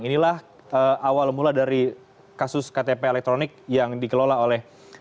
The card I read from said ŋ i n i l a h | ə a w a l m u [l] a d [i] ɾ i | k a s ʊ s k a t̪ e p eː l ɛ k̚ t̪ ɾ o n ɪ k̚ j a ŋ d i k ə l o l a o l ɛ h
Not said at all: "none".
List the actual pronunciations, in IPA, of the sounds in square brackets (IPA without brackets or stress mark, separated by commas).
l, a